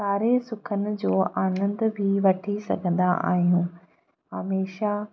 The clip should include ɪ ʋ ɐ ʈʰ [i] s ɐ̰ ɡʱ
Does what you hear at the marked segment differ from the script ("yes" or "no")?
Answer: no